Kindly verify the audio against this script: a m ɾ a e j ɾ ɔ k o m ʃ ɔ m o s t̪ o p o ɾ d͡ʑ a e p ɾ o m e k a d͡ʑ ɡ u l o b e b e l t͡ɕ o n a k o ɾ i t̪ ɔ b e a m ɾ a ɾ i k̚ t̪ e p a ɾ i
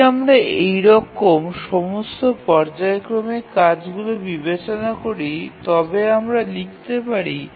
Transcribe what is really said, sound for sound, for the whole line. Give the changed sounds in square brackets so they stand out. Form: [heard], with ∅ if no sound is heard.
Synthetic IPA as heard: a m ɾ a e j ɾ ɔ k o m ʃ ɔ m o s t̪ o p [ɔ] ɾ d͡ʑ a e [k] ɾ o m e k a d͡ʑ ɡ u l o b [i] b e [∅] t͡ɕ o n a k o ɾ i t̪ ɔ b e a m ɾ a [l] i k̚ t̪ e p a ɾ i